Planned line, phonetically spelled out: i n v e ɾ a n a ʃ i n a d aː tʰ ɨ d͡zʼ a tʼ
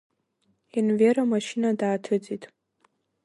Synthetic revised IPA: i n v e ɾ a m a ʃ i n a d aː tʰ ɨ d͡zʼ i tʼ